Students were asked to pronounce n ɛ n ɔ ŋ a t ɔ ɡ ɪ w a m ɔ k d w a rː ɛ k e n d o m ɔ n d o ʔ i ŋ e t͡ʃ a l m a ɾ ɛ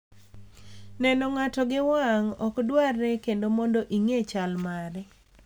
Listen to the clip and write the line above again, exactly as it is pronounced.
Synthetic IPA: n ɛ n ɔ ŋ a t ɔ ɡ ɪ w a ŋ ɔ k d w a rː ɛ k e n d o m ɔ n d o ʔ i ŋ e t͡ʃ a l m a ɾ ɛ